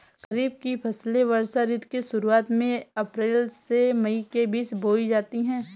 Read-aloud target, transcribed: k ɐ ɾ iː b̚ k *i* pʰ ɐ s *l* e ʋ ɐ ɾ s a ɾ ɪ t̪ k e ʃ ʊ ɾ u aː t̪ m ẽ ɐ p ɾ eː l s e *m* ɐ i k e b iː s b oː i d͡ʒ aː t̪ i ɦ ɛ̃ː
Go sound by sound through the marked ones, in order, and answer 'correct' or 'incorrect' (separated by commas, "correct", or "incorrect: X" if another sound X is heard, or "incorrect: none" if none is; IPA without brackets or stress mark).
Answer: correct, correct, correct